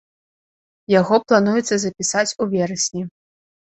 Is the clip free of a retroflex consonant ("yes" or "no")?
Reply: yes